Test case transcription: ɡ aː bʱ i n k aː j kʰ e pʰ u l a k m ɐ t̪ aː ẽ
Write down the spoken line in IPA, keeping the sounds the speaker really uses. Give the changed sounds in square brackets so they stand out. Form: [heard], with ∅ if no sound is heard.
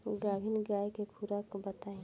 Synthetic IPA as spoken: ɡ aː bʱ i n [ɡ] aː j [k] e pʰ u [ɾ] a k [b] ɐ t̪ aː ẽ